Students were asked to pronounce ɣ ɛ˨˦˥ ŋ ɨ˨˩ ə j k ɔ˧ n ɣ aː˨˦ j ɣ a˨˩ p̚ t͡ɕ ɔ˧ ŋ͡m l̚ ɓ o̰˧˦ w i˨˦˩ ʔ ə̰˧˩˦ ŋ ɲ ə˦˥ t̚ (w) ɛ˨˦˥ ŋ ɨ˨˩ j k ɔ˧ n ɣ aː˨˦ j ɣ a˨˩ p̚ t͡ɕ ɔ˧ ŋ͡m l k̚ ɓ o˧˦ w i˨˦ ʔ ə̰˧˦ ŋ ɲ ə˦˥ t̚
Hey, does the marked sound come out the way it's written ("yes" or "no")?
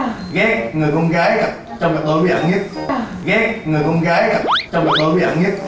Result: no